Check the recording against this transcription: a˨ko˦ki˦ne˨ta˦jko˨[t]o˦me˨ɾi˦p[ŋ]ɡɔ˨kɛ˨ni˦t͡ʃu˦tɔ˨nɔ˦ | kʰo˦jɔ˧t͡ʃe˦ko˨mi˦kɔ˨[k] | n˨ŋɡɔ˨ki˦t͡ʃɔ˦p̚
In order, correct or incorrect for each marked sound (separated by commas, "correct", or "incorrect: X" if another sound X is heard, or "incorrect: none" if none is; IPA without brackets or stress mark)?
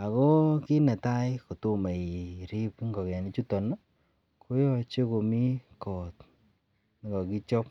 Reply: correct, correct, incorrect: t